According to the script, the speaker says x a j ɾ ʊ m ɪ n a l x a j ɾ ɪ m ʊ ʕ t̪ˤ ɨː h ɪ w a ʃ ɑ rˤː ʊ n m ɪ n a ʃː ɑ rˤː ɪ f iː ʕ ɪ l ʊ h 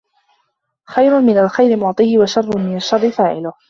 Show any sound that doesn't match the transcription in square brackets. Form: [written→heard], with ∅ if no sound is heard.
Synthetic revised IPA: x a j ɾ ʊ m ɪ n a l x a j ɾ ɪ m ʊ ʕ t̪ˤ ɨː h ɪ w a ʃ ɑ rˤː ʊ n m ɪ n a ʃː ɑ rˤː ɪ f [iː→aː] ʕ ɪ l ʊ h